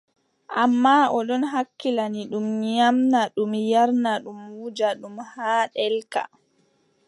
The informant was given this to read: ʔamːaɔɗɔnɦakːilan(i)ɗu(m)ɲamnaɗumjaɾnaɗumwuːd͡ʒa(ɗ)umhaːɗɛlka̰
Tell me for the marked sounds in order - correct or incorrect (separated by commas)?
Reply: correct, correct, correct